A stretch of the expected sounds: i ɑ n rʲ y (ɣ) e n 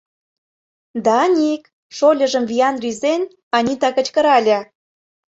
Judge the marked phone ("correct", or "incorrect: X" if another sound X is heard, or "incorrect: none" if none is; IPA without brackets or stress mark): incorrect: z